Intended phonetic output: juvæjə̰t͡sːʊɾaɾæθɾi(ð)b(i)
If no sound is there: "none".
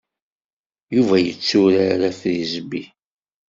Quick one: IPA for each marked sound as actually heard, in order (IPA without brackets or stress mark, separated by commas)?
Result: z, i